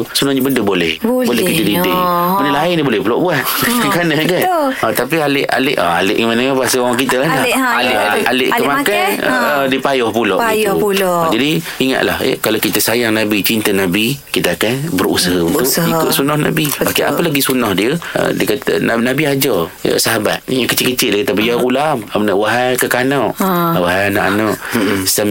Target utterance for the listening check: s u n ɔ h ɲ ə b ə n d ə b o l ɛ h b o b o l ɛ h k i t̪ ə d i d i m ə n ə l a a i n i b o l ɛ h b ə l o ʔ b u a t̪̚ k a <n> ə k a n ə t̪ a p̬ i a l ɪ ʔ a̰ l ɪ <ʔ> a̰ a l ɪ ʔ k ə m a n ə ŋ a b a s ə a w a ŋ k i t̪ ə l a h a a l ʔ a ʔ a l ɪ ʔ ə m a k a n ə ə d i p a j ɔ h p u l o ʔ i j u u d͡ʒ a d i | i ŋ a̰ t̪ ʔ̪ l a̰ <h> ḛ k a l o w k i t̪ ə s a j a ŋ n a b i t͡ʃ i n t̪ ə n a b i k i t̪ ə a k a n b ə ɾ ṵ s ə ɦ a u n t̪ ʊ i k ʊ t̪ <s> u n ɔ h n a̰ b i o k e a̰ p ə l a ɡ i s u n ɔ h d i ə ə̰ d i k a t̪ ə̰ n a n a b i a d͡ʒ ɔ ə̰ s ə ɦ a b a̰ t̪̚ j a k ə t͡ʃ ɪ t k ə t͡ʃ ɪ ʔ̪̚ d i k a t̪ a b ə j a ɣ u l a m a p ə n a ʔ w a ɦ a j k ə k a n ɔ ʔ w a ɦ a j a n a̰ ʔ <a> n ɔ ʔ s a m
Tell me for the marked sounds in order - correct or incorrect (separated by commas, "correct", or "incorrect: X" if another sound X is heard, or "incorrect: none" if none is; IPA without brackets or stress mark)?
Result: correct, correct, correct, correct, correct